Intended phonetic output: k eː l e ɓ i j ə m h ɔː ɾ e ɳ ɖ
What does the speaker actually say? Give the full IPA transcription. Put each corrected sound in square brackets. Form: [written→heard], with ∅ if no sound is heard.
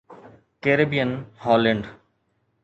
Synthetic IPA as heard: k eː [l→ɾ] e [ɓ→b] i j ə [m→n] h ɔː [ɾ→l] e ɳ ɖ